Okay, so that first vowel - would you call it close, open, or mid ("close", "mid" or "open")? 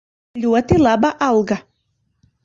close